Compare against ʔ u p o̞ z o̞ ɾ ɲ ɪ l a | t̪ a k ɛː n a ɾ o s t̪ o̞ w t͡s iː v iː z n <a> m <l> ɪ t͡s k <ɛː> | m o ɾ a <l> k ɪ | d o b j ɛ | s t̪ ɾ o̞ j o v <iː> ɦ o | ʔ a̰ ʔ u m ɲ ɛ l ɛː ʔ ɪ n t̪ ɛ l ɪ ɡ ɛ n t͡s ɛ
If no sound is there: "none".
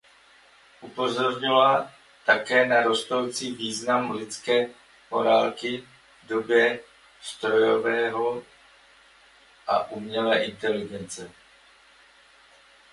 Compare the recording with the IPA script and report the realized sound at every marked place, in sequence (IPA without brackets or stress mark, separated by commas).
a, l, ɛː, l, ɛː